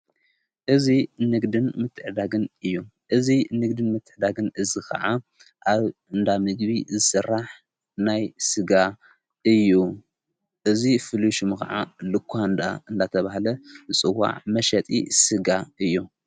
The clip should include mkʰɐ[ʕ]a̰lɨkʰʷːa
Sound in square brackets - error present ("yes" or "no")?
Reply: no